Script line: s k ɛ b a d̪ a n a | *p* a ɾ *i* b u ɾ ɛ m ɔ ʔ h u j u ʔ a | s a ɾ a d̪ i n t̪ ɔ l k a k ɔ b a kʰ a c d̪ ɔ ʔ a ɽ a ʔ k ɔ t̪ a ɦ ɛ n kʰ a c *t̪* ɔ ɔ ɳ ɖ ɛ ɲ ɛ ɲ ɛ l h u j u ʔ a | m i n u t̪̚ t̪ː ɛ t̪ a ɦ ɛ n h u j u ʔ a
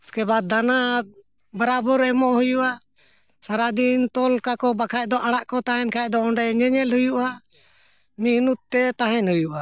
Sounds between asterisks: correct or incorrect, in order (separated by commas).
incorrect, incorrect, incorrect